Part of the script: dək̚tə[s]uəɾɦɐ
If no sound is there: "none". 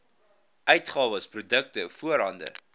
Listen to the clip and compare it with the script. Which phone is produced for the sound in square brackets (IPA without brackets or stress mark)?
f